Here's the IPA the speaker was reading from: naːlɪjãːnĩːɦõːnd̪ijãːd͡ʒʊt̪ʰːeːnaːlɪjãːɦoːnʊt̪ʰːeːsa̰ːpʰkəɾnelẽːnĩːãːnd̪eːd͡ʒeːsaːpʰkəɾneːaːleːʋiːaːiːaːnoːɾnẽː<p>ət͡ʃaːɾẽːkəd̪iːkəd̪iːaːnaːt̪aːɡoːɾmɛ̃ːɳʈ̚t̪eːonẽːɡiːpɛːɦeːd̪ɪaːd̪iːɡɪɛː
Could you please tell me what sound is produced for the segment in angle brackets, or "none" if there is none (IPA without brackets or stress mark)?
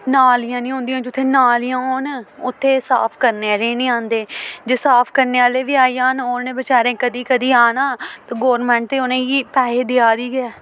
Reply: b